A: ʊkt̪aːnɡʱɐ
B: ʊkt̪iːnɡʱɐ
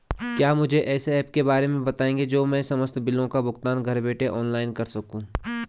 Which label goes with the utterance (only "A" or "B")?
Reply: A